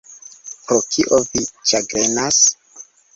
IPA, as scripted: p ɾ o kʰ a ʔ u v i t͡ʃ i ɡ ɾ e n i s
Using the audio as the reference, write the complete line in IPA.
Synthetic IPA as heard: p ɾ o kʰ i ʔ o v i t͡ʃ a ɡ ɾ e n a s